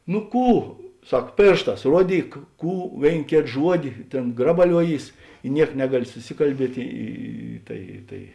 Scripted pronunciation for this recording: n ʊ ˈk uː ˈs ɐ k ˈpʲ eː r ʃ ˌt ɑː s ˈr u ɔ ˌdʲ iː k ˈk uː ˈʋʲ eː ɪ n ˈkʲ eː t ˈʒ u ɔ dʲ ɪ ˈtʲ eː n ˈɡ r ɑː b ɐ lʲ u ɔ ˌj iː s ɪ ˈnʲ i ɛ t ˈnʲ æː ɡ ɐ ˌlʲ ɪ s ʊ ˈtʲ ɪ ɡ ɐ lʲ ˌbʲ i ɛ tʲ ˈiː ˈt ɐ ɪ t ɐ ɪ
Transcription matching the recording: n ʊ ˈk uː ˈs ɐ k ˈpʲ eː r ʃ ˌt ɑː s ˈr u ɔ ˌdʲ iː k ˈk uː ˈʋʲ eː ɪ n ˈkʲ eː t ˈʒ u ɔ dʲ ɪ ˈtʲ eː n ˈɡ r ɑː b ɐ lʲ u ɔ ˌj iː s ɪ ˈnʲ i ɛ k ˈnʲ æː ɡ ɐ ˌlʲ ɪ s ʊ ˈsʲ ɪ k ɐ lʲ ˌbʲ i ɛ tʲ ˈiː ˈt ɐ ɪ t ɐ ɪ